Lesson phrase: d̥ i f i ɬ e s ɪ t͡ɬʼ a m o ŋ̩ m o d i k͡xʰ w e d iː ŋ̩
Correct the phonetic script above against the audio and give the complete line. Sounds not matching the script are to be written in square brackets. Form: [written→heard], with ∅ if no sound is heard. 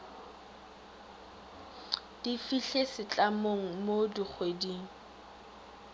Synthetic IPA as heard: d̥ i f i ɬ e s ɪ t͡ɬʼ a m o ŋ̩ m o d i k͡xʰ w e d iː ŋ̩